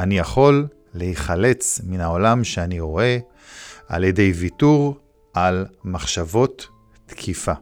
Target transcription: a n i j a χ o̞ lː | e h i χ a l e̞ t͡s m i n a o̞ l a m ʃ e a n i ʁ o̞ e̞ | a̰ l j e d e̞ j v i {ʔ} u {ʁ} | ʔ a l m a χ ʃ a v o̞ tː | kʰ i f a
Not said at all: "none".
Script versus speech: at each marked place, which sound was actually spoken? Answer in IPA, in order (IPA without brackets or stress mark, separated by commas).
t, ʁ